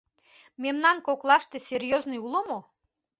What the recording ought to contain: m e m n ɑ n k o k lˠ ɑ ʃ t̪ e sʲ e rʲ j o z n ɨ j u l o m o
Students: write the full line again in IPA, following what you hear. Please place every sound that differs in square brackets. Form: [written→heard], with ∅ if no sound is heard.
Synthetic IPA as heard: m e m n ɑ n k o k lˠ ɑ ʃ t̪ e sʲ e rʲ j o z n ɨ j u l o m o